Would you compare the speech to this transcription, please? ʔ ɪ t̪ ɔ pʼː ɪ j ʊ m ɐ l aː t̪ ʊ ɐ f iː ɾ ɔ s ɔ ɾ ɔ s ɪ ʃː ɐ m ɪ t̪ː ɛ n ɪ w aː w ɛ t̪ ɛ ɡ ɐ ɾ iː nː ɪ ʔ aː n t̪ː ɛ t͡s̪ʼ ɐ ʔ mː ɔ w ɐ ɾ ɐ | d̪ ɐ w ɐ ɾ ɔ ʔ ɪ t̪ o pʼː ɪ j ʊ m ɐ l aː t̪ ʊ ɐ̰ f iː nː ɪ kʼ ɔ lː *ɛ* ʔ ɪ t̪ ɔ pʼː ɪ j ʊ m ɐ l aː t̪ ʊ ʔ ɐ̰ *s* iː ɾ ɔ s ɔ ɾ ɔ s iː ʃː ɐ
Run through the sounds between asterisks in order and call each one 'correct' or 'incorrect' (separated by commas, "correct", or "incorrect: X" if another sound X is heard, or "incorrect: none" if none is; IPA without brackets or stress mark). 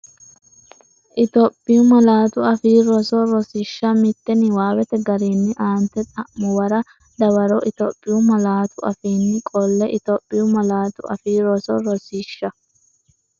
correct, incorrect: f